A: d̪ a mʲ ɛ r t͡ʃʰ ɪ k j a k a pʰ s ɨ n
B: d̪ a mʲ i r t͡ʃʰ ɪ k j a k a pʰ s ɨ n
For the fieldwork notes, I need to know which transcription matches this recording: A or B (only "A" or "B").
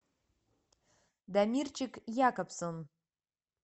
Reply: B